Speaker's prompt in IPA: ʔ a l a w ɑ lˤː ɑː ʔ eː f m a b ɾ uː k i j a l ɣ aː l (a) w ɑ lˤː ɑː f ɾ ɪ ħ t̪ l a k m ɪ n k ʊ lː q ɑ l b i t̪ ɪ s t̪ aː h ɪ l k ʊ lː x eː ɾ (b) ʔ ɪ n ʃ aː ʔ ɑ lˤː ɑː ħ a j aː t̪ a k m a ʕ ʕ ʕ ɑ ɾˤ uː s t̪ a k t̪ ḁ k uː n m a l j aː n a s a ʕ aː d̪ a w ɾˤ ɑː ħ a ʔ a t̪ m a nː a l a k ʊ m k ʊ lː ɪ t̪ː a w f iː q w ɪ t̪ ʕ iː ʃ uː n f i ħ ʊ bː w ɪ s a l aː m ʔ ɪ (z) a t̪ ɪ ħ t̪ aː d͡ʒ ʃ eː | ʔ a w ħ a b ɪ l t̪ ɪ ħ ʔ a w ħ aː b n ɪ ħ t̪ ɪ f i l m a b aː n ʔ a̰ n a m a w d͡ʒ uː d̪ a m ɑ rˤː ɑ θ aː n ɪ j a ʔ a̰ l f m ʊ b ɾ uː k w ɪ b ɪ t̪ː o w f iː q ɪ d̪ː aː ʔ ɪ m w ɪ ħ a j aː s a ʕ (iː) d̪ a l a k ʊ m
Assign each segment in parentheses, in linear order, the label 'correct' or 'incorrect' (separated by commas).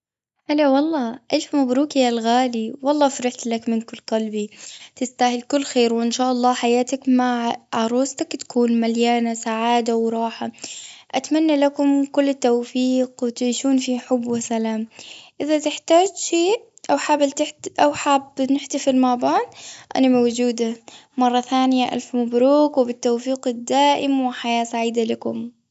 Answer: incorrect, incorrect, incorrect, correct